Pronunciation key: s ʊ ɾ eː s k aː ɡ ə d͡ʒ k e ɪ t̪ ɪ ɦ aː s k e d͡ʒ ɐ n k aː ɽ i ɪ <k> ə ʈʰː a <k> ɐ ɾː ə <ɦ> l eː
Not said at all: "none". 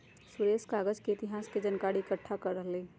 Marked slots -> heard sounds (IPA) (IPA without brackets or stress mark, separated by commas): k, k, ɦ